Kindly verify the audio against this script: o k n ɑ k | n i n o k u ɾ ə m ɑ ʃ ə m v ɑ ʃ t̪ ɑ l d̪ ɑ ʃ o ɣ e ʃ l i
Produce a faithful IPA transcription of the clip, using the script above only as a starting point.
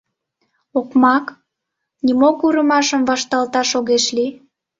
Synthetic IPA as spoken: o k m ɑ k | n i m o k u ɾ ə m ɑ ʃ ə m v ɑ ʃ t̪ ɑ l t̪ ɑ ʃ o ɣ e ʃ l i